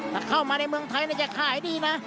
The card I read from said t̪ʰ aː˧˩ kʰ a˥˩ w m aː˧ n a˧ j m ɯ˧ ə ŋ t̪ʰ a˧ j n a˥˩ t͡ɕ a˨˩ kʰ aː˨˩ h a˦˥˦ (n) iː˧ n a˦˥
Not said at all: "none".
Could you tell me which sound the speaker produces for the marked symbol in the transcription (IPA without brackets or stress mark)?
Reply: d